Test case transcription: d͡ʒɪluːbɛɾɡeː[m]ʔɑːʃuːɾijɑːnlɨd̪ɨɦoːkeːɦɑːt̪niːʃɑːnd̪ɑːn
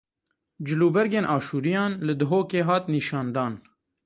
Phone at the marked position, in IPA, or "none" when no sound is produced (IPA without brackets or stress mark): n